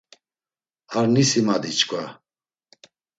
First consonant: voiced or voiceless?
voiced